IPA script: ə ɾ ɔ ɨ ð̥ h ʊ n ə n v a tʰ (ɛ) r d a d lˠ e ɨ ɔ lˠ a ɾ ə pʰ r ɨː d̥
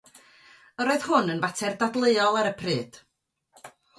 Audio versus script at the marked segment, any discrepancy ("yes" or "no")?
no